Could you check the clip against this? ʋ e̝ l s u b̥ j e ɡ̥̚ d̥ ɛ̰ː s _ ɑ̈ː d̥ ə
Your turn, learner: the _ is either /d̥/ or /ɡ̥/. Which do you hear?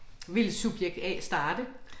d̥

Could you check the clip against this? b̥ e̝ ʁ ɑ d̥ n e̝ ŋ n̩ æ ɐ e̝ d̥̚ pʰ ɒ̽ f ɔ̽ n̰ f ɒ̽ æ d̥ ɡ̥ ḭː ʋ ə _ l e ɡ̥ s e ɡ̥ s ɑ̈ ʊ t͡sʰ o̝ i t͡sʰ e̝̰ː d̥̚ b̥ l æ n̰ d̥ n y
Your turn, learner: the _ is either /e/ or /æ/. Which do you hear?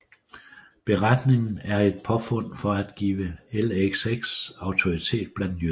e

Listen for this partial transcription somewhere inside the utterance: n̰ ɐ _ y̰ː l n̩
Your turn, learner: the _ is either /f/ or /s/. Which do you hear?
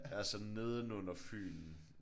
f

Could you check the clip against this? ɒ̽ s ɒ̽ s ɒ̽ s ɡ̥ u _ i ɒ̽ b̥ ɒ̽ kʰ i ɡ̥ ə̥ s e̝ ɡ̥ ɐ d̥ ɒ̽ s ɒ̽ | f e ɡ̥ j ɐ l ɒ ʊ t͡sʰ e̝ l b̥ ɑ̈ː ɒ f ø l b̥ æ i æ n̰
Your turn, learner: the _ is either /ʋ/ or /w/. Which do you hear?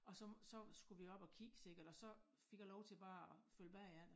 ʋ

